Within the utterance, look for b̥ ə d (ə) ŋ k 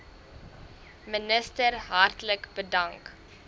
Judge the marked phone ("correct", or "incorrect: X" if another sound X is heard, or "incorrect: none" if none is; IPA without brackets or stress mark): incorrect: ɐ